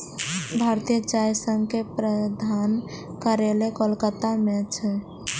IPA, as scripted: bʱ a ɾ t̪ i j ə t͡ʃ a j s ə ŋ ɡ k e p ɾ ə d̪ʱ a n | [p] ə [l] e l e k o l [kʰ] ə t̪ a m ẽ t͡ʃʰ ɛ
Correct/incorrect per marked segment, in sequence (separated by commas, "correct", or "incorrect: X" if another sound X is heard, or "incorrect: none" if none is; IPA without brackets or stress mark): incorrect: k, incorrect: ɾ, incorrect: k